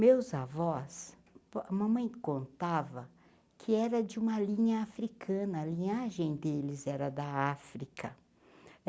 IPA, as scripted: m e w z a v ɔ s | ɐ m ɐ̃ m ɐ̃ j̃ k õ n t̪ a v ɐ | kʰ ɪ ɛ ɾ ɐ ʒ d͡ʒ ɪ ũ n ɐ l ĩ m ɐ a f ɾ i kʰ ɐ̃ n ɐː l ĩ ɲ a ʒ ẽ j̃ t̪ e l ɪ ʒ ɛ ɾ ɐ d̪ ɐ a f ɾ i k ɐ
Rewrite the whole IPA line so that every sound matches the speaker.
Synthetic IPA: m e w z a v ɔ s | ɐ m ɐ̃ m ɐ̃ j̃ k õ n t̪ a v ɐ | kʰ ɪ ɛ ɾ ɐ d͡ʒ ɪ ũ m ɐ l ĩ ɲ ɐ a f ɾ i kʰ ɐ̃ n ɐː l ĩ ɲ a ʒ ẽ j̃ d̪ e l ɪ z ɛ ɾ ɐ d̪ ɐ a f ɾ i k ɐ